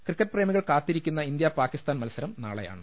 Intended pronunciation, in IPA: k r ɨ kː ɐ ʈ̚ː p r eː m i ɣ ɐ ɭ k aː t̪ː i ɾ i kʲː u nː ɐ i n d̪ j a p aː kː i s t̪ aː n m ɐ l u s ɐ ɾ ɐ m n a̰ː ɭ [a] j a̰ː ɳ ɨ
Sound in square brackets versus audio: incorrect: ɐ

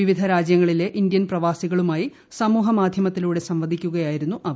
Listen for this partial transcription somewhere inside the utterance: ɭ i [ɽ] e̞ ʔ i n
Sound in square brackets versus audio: incorrect: l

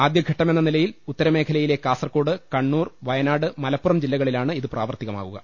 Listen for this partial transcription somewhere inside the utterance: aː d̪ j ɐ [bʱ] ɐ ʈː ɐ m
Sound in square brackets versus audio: incorrect: ɡʱ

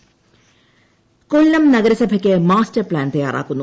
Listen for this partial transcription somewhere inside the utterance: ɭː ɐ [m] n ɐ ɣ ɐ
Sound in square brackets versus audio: correct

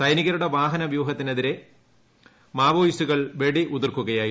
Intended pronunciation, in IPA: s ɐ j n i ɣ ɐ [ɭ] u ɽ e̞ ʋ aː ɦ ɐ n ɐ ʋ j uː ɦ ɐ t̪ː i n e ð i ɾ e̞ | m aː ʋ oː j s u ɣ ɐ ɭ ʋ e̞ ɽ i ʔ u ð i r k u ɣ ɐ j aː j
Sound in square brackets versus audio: incorrect: ɾ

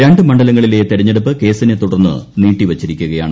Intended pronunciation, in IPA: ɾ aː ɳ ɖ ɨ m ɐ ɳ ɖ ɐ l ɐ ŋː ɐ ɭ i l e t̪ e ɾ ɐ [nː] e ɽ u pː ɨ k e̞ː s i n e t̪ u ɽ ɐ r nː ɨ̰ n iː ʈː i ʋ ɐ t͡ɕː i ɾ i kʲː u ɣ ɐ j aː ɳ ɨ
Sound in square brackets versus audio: incorrect: ɲː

